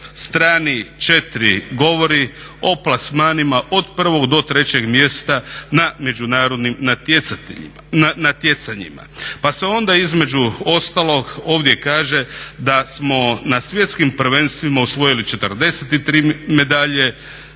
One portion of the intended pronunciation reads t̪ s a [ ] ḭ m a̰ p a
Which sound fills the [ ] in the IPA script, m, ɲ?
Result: ɲ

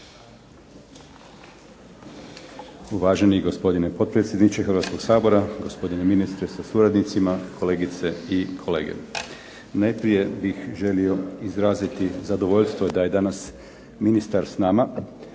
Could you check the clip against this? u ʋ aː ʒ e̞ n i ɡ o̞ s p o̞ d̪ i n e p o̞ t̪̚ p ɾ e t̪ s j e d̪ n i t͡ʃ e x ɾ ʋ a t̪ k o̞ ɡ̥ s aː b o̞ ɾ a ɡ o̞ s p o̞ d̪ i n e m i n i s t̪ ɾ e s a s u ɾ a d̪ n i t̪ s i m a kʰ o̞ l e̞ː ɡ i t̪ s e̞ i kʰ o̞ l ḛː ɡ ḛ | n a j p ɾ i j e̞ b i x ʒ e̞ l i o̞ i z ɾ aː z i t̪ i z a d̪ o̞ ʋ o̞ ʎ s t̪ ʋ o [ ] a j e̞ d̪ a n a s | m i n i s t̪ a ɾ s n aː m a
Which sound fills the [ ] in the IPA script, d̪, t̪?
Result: d̪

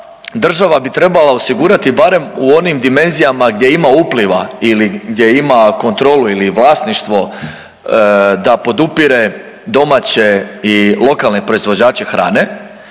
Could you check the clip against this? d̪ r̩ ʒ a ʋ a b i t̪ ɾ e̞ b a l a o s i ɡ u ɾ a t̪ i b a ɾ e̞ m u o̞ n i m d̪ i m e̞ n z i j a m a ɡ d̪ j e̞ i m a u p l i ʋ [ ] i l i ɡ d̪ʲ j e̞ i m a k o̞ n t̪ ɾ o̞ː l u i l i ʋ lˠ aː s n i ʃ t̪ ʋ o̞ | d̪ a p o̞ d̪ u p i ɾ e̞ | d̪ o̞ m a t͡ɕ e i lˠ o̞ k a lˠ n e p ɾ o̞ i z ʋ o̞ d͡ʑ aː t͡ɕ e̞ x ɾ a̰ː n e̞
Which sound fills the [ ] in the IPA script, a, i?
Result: a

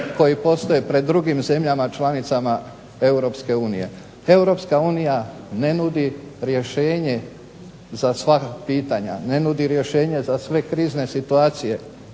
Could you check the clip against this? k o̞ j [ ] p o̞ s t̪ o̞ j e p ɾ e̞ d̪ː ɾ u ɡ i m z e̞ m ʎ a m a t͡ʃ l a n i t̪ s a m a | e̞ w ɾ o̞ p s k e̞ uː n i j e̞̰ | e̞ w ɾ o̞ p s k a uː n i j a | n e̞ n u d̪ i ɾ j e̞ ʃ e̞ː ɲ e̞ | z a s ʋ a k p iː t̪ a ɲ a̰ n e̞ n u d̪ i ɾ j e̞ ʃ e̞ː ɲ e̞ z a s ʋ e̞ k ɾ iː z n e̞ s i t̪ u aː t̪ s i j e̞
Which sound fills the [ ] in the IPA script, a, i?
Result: i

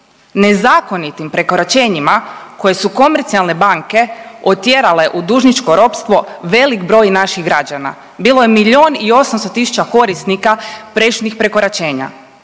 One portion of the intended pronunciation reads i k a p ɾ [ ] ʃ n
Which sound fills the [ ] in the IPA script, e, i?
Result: e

